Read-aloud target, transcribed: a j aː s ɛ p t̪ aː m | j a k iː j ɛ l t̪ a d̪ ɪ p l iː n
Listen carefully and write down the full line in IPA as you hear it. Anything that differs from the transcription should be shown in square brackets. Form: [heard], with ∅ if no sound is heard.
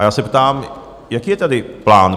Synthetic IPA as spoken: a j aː s ɛ p t̪ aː m | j a k iː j ɛ [∅] t̪ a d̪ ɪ p l [aː] n